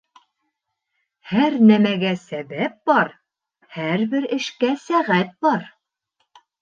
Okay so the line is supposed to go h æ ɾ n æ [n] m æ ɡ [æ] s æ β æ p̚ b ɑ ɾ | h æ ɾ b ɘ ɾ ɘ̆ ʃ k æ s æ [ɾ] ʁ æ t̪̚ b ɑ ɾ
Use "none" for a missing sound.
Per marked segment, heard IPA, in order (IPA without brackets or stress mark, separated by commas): none, æ, none